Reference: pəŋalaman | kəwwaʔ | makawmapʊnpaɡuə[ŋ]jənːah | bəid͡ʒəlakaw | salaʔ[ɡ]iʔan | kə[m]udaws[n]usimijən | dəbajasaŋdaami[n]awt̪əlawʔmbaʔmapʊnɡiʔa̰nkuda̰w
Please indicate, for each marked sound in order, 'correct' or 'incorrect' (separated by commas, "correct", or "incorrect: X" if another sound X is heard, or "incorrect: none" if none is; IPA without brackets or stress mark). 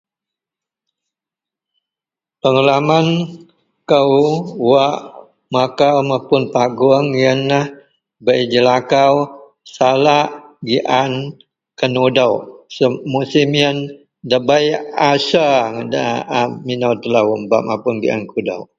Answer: correct, correct, incorrect: n, incorrect: m, correct